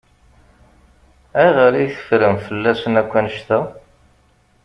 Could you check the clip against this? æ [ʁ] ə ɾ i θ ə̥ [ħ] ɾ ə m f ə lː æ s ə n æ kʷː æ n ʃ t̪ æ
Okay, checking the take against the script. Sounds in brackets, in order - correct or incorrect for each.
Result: correct, incorrect: f

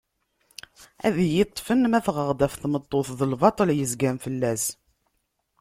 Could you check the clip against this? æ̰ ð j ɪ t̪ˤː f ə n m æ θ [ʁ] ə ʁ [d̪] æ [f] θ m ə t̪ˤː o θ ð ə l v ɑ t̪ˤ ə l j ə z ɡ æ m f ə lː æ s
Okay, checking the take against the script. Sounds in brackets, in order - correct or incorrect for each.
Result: correct, correct, correct

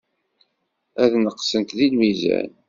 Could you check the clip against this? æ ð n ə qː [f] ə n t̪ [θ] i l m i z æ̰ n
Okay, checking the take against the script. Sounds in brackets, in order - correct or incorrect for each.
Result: incorrect: s, incorrect: ð

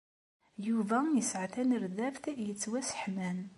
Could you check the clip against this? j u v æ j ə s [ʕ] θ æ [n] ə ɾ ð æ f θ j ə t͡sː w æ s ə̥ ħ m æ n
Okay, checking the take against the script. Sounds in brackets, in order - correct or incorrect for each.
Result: correct, correct

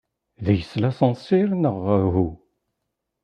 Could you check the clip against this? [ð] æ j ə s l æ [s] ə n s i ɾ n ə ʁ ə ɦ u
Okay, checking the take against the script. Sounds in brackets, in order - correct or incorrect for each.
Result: correct, correct

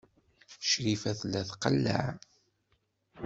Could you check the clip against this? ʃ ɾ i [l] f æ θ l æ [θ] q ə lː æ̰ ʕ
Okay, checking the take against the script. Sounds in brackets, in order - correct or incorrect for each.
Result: incorrect: none, correct

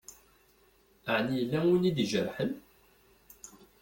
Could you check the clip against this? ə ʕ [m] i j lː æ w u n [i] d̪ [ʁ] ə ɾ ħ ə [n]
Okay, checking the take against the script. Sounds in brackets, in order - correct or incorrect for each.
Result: incorrect: n, correct, incorrect: ʒ, correct

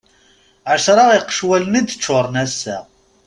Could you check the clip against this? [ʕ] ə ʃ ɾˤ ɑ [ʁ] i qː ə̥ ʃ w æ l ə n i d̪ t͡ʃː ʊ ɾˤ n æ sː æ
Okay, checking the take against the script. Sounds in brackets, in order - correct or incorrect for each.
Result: correct, correct

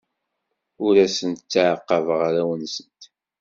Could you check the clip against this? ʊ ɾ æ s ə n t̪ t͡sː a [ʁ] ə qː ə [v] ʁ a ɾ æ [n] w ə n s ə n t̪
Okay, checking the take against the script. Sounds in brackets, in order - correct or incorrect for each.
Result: incorrect: ʕ, correct, incorrect: none

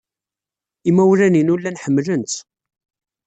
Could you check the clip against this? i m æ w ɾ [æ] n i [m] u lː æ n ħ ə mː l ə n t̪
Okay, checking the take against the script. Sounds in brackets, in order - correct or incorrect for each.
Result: correct, incorrect: n

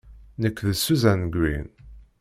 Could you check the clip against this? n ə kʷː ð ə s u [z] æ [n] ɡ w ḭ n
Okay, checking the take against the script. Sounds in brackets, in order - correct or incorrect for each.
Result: correct, correct

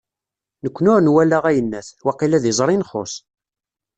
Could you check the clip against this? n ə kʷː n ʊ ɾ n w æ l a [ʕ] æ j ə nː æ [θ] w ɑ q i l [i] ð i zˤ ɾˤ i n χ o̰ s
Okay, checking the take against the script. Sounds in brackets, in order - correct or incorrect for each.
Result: incorrect: ʁ, correct, incorrect: æ

